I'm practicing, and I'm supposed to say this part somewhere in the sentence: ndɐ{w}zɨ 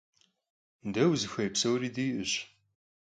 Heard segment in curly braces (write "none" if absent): w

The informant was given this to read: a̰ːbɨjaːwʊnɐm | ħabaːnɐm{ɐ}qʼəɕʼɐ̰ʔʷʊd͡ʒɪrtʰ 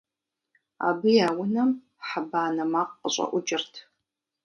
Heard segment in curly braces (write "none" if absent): a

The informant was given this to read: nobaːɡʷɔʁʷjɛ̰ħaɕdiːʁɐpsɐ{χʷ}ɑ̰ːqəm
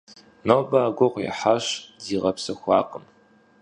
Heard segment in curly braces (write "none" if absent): xʷ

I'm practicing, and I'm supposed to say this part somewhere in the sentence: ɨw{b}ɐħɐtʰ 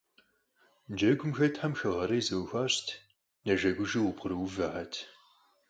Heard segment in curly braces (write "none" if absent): v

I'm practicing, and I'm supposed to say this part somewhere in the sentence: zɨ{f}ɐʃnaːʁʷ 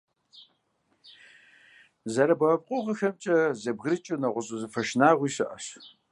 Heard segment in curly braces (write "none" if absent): f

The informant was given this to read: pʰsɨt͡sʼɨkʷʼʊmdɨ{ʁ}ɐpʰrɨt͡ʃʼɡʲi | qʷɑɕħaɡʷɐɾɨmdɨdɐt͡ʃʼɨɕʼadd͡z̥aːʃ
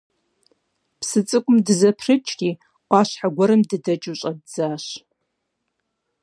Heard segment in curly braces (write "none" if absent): z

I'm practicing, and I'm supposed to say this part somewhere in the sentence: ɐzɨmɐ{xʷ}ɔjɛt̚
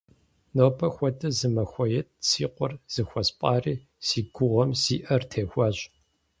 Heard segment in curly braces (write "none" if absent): xʷ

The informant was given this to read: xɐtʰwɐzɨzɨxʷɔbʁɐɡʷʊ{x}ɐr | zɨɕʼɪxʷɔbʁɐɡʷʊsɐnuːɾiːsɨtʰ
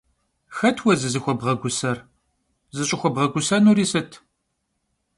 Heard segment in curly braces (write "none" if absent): s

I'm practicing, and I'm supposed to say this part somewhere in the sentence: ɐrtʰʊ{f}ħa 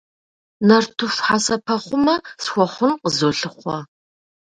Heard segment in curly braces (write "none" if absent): f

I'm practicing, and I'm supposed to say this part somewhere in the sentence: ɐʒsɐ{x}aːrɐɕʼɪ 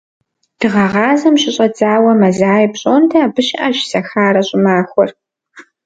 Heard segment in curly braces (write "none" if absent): x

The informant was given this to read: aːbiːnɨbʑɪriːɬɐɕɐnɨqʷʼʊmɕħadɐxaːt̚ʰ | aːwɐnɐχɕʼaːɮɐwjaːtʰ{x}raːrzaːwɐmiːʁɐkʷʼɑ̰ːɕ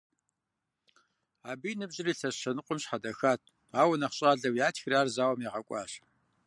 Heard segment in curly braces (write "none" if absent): x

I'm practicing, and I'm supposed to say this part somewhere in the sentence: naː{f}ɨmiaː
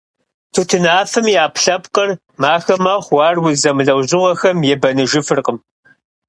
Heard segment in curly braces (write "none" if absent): f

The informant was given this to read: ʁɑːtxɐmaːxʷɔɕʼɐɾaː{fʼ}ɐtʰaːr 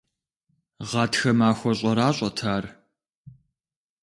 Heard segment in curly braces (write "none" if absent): ɕʼ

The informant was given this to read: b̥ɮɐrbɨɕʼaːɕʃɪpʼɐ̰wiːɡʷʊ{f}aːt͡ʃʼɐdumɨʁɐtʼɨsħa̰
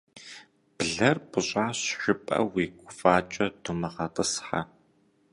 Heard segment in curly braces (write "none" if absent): f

